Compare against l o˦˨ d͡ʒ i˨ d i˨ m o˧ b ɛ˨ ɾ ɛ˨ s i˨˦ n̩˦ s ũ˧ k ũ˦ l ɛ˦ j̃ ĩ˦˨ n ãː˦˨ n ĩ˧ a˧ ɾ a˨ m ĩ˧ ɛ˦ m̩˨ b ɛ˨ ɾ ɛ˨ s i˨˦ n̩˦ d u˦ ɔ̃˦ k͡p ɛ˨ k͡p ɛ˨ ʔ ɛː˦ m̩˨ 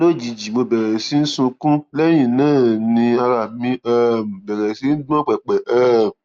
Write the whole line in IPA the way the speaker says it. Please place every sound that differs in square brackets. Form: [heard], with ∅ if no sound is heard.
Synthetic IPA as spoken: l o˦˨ d͡ʒ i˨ [d͡ʒ] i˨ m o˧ b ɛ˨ ɾ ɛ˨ s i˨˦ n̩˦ s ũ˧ k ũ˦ l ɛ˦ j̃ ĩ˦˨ n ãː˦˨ n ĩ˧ a˧ ɾ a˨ m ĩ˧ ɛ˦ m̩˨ b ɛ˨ ɾ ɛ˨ s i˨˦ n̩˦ d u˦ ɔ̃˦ k͡p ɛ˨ k͡p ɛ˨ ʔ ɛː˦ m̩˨